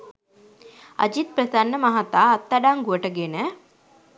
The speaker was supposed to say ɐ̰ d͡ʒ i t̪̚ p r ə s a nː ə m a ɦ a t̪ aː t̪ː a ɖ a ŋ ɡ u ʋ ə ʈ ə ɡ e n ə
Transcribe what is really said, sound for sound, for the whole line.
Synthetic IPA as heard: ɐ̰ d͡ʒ i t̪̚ p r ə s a nː ə m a ɦ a t̪ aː t̪ː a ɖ a ŋ ɡ u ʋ ə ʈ ə ɡ e n ə